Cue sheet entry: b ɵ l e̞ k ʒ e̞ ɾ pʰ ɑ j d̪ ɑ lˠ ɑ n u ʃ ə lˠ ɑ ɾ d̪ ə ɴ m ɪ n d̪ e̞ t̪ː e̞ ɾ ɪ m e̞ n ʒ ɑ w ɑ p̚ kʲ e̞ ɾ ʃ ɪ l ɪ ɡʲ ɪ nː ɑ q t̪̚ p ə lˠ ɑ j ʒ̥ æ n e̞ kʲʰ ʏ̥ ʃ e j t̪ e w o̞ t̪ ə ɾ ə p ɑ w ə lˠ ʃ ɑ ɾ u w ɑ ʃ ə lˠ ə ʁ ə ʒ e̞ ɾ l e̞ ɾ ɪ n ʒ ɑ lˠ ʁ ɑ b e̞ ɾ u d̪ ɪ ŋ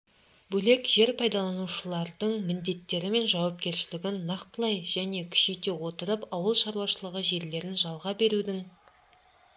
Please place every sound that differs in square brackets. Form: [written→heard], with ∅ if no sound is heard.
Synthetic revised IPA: b ɵ l e̞ k ʒ e̞ ɾ pʰ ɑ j d̪ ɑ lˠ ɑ n u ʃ ə lˠ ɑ ɾ d̪ ə ɴ m ɪ n d̪ e̞ t̪ː e̞ ɾ ɪ m e̞ n ʒ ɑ w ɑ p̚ kʲ e̞ ɾ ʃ ɪ l ɪ ɡʲ ɪ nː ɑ q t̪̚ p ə lˠ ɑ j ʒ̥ æ n e̞ kʲʰ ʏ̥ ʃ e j t̪ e w o̞ t̪ ə ɾ ə p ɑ w ə lˠ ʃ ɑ ɾ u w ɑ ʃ ə lˠ ə ʁ ə ʒ e̞ ɾ l e̞ ɾ ɪ n ʒ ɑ lˠ ʁ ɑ b e̞ ɾ u d̪ ɪ ŋ